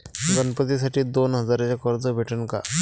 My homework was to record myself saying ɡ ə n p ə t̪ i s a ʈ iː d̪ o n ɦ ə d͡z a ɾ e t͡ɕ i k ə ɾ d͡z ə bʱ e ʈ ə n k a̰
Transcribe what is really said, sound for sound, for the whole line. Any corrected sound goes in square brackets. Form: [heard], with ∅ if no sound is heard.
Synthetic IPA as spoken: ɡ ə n p ə t̪ i s a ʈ iː d̪ o n ɦ ə d͡z a ɾ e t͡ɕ [a] k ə ɾ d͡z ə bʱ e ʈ ə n k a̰